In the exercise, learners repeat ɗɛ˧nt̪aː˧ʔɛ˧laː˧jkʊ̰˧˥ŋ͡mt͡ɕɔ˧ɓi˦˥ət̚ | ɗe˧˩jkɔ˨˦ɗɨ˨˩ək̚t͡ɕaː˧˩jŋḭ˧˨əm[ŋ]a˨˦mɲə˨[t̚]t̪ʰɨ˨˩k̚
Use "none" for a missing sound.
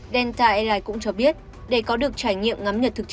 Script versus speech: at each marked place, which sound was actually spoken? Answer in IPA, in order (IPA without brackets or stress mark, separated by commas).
ŋ, t̚